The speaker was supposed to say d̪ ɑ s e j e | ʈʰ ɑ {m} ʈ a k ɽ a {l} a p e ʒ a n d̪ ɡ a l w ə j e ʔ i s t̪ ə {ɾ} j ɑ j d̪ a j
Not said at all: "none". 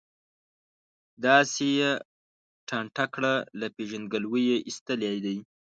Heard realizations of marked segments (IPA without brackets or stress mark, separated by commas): ɳ, l, l